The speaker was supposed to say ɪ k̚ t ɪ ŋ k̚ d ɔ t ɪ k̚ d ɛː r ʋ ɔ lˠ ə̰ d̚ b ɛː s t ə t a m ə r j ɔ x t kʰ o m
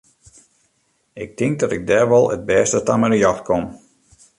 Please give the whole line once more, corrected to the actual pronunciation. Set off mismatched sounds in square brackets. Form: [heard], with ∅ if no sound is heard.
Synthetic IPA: ɪ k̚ t ɪ ŋ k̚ d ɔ t ɪ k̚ d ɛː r ʋ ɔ lˠ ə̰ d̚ b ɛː s t ə t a m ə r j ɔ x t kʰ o m